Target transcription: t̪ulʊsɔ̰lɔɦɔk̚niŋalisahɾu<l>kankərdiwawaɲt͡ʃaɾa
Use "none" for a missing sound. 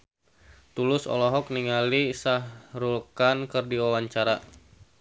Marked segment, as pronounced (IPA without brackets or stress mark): l